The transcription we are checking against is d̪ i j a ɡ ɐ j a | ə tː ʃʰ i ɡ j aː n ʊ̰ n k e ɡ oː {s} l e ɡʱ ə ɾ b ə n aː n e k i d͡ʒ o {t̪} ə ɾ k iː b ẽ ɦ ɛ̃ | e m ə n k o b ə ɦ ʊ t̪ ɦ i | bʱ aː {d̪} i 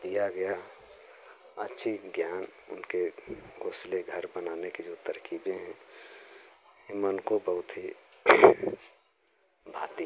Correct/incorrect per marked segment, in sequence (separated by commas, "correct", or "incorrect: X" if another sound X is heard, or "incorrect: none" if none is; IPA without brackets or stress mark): correct, correct, incorrect: t̪